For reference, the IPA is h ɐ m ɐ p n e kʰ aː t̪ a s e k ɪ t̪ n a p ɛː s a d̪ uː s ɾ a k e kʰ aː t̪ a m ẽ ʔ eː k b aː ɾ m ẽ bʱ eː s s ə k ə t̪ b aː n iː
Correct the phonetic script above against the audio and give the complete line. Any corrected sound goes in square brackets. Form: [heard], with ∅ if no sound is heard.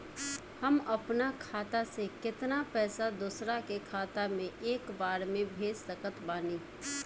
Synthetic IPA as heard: h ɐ m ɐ p n [a] kʰ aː t̪ a s e k ɪ t̪ n a p ɛː s a d̪ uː s ɾ a k e kʰ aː t̪ a m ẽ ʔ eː k b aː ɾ m ẽ bʱ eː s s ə k ə t̪ b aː n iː

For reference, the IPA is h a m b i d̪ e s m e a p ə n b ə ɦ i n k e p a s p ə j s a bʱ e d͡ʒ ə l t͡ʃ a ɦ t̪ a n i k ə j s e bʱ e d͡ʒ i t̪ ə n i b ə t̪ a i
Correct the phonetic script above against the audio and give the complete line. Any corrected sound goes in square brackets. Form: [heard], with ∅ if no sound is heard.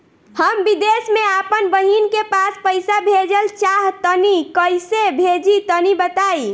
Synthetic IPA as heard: h [ə] m b i d̪ e s m e a p ə n b ə ɦ i n k e p a s p ə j s a bʱ e d͡ʒ ə l t͡ʃ a ɦ t̪ [ə] n i k ə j s e bʱ e d͡ʒ i t̪ ə n i b ə t̪ a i

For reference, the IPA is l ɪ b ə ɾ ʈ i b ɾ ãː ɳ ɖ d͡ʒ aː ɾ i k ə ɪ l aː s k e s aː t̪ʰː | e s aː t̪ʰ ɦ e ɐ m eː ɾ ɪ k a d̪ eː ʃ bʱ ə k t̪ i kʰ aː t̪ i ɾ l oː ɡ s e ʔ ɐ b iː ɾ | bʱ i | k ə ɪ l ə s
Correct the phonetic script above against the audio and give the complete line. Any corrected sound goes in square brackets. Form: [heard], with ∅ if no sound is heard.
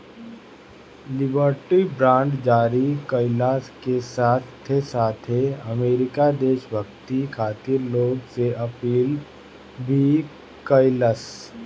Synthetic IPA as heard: l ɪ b ə ɾ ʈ i b ɾ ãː ɳ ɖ d͡ʒ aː ɾ i k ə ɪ l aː s k e s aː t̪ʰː | e s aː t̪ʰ ɦ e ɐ m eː ɾ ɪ k a d̪ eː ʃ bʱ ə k t̪ i kʰ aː t̪ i ɾ l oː ɡ s e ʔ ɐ [p] iː [l] | bʱ i | k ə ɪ l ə s

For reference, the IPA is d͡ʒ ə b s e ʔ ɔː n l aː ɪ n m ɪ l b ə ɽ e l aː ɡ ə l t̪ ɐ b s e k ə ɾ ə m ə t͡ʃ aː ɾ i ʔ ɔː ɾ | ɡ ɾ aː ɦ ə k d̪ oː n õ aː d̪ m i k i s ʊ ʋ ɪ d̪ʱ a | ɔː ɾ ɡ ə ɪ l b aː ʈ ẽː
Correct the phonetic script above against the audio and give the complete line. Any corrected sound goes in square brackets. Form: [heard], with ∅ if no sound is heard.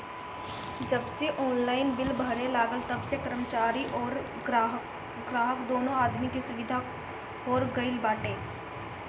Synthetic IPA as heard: d͡ʒ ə b s e ʔ ɔː n l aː ɪ n [b] ɪ l b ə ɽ e l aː ɡ ə l t̪ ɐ b s e k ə ɾ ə m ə t͡ʃ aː ɾ i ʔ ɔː ɾ | ɡ ɾ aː ɦ ə k d̪ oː n õ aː d̪ m i k i s ʊ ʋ ɪ d̪ʱ a | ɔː ɾ ɡ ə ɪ l b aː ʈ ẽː

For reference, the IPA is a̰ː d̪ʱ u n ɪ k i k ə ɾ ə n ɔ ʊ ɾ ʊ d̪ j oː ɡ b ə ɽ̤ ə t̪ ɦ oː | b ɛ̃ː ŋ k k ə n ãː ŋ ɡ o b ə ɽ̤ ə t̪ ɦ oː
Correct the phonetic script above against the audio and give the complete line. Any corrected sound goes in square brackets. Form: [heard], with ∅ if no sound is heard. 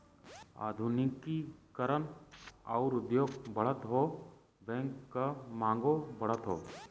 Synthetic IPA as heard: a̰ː d̪ʱ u n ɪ k i k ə ɾ ə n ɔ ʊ ɾ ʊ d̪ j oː ɡ b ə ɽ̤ ə t̪ ɦ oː | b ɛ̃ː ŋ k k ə [m] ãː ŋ ɡ o b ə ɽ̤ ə t̪ ɦ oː

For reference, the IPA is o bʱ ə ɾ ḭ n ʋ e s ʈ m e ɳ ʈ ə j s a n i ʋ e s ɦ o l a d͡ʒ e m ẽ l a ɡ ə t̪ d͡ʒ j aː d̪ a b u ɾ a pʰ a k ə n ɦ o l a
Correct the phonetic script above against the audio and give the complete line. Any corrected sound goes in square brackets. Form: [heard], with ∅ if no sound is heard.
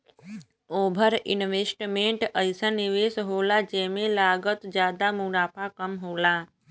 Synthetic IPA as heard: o bʱ ə ɾ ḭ n ʋ e s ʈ m e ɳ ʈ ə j s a n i ʋ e s ɦ o l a d͡ʒ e m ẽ l a ɡ ə t̪ d͡ʒ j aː d̪ a [m] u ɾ a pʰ a k ə [m] ɦ o l a

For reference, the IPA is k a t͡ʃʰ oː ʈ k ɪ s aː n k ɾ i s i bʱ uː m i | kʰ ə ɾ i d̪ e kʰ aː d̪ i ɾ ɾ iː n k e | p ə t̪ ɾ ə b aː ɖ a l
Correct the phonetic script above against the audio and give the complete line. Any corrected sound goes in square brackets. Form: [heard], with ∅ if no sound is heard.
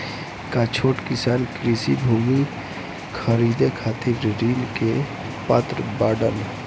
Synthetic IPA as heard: k a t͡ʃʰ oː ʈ k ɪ s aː n k ɾ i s i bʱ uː m i | kʰ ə ɾ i d̪ e kʰ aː [t̪] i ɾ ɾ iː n k e | p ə t̪ ɾ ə b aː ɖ [ə] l

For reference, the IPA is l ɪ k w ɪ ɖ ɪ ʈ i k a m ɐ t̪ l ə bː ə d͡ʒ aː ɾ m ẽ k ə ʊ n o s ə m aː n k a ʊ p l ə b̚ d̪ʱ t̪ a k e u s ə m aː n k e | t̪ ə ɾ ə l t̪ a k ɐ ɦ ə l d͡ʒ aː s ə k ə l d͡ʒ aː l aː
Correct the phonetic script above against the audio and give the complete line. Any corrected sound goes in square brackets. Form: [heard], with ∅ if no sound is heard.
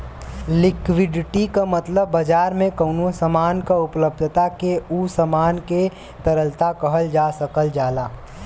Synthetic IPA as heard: l ɪ k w ɪ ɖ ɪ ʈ i k a m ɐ t̪ l ə bː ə d͡ʒ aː ɾ m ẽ k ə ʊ n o s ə m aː n k a ʊ p l ə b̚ d̪ʱ t̪ a k e u s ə m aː n k e | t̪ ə ɾ ə l t̪ a k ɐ ɦ ə l d͡ʒ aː s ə k ə l d͡ʒ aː l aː

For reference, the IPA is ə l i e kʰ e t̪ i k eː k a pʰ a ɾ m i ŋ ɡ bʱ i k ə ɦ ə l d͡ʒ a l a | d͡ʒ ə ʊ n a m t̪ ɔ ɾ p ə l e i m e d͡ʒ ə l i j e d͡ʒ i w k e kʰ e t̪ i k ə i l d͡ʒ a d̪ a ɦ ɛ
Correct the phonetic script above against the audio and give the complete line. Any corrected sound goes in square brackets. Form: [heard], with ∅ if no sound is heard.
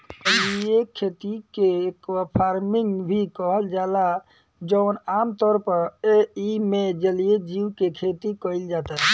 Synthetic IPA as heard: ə l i e kʰ e t̪ i k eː k a pʰ a ɾ m i ŋ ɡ bʱ i k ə ɦ ə l d͡ʒ a l a | d͡ʒ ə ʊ n a m t̪ ɔ ɾ p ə [ɾ] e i m e d͡ʒ ə l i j e d͡ʒ i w k e kʰ e t̪ i k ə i l d͡ʒ a [t̪] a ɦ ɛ

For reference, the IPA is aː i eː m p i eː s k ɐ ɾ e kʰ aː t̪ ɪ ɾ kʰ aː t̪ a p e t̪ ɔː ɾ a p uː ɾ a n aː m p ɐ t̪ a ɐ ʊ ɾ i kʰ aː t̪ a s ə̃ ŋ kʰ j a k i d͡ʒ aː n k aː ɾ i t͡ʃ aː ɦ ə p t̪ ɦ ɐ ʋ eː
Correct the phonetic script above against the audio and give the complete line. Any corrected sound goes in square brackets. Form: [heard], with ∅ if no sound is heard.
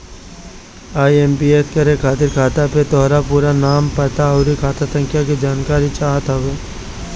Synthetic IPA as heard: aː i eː m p i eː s k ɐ ɾ e kʰ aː t̪ ɪ ɾ kʰ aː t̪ a p e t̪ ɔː ɾ a p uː ɾ a n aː m p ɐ t̪ a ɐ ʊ ɾ i kʰ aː t̪ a s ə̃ ŋ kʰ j a k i d͡ʒ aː n k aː ɾ i t͡ʃ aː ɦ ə [∅] t̪ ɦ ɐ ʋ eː

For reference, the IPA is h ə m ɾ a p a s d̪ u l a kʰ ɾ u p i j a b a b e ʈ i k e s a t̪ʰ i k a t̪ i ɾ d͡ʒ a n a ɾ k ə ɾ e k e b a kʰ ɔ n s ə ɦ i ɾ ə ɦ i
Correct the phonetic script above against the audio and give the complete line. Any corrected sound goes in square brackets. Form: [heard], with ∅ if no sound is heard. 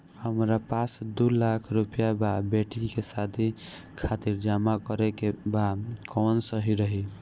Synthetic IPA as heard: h ə m ɾ a p a s d̪ u l a kʰ ɾ u p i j a b a b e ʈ i k e s a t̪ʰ i [kʰ] a t̪ i ɾ d͡ʒ a [m] a [∅] k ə ɾ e k e b a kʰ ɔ n s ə ɦ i ɾ ə ɦ i

